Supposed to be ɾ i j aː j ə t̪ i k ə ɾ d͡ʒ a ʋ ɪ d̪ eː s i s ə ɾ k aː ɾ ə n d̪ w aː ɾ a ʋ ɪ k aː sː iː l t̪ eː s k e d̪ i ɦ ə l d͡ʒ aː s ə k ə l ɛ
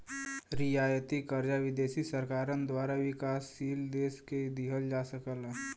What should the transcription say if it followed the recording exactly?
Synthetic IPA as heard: ɾ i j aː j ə t̪ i k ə ɾ d͡ʒ a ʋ ɪ d̪ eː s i s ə ɾ k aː ɾ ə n d̪ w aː ɾ a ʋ ɪ k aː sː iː l d̪ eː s k e d̪ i ɦ ə l d͡ʒ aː s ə k ə l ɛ